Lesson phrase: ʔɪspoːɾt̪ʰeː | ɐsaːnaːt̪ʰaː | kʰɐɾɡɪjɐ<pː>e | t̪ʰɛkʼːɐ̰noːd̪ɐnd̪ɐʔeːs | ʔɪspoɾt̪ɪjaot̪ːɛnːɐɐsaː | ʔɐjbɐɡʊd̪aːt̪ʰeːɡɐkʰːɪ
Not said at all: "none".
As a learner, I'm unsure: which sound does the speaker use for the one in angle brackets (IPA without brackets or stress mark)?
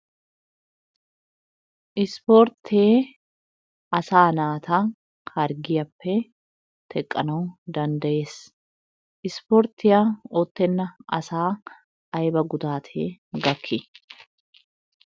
pː